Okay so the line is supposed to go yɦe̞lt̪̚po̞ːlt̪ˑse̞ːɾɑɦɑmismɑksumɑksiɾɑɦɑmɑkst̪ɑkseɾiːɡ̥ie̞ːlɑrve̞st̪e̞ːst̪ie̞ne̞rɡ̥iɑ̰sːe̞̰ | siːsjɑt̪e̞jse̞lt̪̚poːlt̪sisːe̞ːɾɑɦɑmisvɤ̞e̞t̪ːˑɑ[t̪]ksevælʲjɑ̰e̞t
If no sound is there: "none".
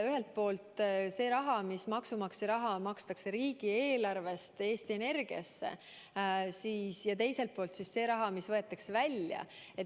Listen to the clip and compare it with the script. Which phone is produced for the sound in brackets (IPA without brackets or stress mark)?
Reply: none